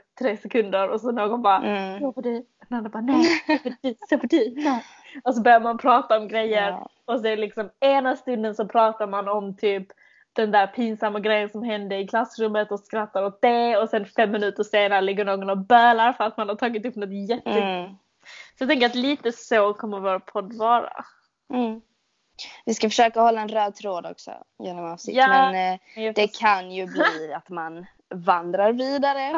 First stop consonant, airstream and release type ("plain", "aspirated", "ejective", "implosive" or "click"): aspirated